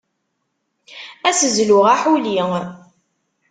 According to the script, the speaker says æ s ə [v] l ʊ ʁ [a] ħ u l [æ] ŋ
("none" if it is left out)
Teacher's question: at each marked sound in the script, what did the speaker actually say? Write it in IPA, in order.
z, a, i

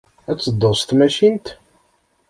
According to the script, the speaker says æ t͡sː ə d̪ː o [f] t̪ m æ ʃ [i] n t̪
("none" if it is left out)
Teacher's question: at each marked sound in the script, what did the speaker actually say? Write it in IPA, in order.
s, i

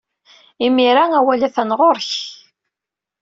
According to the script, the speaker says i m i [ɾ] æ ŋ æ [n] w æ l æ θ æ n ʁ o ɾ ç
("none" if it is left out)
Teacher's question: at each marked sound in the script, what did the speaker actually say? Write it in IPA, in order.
ɾ, none

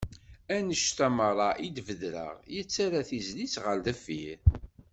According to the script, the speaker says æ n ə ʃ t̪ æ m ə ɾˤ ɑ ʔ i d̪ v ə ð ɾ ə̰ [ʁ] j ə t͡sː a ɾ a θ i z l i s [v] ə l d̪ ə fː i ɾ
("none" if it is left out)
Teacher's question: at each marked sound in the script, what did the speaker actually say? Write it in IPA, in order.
ʁ, ʁ

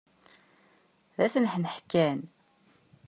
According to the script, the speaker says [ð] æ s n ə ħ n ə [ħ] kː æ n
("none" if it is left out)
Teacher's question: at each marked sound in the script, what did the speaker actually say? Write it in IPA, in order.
ð, ħ

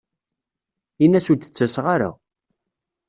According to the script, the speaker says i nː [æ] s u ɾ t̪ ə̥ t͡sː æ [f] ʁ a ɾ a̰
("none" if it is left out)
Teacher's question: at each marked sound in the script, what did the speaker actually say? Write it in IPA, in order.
æ, s

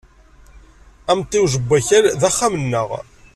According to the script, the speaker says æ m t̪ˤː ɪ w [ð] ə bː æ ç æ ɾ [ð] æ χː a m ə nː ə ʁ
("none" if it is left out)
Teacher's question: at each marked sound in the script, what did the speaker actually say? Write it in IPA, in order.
ʒ, ð

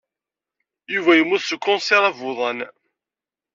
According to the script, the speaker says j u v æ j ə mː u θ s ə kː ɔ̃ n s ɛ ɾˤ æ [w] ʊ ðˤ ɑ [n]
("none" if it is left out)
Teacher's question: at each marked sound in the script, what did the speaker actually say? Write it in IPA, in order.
v, n

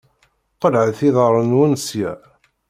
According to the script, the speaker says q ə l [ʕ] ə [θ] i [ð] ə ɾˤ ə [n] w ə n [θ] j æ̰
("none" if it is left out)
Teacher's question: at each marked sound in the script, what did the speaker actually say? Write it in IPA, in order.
ʕ, θ, ð, n, s

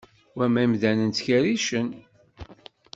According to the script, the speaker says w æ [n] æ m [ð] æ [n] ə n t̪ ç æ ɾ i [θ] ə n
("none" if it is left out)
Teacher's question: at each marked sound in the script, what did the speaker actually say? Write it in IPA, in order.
m, ð, n, ʃ

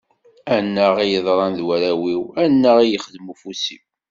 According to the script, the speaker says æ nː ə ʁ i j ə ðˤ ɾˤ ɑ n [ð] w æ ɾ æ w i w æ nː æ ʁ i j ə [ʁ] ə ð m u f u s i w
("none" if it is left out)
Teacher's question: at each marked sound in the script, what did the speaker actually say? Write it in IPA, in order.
ð, χ

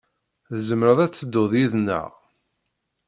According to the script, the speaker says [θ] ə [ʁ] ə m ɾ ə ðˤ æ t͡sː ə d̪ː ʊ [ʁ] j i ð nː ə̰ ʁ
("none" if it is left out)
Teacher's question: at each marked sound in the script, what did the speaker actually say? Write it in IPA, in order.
ð, z, ð

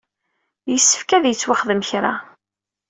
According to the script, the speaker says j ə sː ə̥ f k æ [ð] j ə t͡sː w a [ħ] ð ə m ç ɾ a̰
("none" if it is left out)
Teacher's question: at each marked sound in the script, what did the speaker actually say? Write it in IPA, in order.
ð, χ

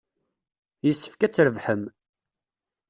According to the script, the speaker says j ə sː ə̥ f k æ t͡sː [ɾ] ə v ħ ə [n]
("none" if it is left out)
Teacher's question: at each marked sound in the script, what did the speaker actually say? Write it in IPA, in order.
ɾ, m

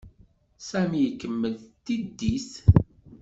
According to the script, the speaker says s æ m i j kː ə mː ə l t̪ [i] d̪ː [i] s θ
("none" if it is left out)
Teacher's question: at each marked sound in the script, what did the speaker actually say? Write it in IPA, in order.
i, i

